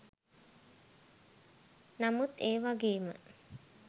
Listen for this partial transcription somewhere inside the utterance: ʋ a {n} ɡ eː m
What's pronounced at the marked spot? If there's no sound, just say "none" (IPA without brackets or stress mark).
none